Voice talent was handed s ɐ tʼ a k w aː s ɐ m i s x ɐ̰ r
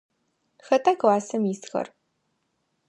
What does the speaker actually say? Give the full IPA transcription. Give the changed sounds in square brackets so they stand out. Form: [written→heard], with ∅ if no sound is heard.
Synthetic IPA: [s→x] ɐ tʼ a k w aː s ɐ m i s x ɐ̰ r